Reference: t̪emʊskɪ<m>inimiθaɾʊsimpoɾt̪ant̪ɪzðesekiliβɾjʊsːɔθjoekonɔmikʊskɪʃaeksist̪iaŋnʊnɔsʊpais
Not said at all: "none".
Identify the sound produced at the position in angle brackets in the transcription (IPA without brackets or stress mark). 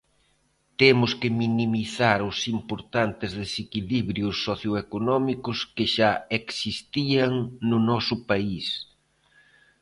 m